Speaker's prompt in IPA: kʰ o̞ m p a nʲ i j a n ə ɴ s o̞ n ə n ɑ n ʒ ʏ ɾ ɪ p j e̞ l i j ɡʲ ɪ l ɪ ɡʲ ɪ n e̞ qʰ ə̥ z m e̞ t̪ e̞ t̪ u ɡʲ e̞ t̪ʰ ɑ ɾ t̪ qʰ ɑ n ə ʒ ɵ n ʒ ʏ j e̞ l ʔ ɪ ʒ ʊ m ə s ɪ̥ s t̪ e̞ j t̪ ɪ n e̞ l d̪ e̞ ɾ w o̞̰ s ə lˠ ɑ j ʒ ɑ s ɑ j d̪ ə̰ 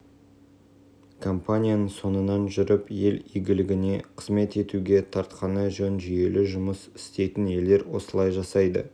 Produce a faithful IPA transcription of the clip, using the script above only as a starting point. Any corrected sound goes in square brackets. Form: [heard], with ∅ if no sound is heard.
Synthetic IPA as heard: kʰ o̞ m p a nʲ i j a n ə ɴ s o̞ n ə n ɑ n ʒ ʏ ɾ ɪ p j e̞ l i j ɡʲ ɪ l ɪ ɡʲ ɪ n e̞ qʰ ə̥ z m e̞ t̪ e̞ t̪ u ɡʲ e̞ t̪ʰ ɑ ɾ t̪ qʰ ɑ n ə ʒ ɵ n ʒ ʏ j e̞ l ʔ ɪ ʒ ʊ m ə s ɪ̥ s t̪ e̞ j t̪ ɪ n e̞ l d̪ e̞ ɾ w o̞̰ s ə lˠ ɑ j ʒ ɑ s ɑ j d̪ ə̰